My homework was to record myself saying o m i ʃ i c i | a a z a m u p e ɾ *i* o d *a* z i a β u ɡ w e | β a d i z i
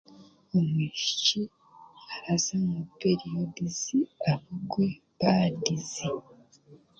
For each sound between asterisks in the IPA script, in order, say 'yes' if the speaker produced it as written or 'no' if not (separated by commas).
yes, no